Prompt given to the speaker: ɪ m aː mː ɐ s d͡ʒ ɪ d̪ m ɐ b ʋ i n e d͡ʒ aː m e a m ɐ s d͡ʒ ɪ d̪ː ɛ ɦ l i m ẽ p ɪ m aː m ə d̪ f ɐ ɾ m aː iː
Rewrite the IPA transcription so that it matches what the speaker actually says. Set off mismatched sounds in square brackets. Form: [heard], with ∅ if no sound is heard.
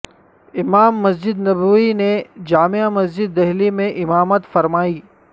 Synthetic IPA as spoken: ɪ m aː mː ɐ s d͡ʒ ɪ d̪ [n] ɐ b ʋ i n e d͡ʒ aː m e a m ɐ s d͡ʒ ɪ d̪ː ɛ ɦ l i m ẽ [ʔ] ɪ m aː m ə [t̪] f ɐ ɾ m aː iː